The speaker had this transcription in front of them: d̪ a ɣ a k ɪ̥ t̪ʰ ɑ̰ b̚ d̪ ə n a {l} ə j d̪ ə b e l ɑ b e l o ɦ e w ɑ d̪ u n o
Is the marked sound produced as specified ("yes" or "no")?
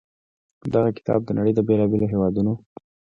no